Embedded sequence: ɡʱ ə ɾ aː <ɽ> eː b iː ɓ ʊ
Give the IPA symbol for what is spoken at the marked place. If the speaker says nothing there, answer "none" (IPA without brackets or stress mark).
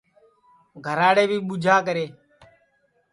ɽ